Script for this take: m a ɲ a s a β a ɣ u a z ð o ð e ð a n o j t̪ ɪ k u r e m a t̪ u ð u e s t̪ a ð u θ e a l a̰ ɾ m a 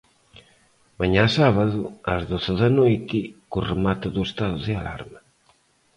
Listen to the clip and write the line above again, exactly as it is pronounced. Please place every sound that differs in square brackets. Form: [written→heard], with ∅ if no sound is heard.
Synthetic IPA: m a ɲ a s a β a [ɣ→ð] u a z ð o [ð→θ] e ð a n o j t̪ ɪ k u r e m a t̪ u ð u e s t̪ a ð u [θ→ð] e a l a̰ ɾ m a